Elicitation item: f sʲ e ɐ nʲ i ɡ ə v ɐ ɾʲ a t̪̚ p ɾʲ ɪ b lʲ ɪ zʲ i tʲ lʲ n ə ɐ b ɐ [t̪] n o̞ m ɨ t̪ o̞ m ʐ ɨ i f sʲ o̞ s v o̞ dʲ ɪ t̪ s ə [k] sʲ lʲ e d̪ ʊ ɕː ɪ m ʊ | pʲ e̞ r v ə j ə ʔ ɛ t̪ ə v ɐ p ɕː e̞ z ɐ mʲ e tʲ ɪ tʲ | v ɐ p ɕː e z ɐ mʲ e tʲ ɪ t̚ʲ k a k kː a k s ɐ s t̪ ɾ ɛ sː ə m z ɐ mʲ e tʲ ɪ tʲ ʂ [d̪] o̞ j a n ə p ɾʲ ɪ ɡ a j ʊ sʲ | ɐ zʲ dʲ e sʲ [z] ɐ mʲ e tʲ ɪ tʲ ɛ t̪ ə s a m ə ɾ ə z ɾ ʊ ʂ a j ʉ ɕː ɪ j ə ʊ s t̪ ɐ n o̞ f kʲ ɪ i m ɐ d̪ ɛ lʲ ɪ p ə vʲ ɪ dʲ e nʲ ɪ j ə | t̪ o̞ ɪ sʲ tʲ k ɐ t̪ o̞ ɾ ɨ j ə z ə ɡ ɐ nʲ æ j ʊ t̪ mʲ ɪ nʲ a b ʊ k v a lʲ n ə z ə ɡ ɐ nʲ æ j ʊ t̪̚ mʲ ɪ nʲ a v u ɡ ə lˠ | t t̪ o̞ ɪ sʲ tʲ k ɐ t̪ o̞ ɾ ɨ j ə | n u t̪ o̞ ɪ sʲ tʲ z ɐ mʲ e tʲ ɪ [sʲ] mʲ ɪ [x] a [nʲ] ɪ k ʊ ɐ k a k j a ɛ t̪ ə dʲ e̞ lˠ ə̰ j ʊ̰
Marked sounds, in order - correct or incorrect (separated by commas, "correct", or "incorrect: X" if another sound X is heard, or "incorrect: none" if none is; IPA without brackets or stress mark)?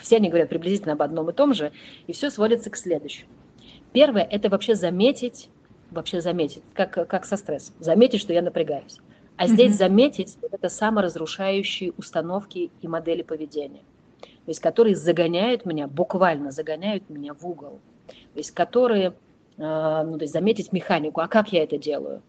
incorrect: d̪, correct, incorrect: t̪, correct, incorrect: tʲ, correct, correct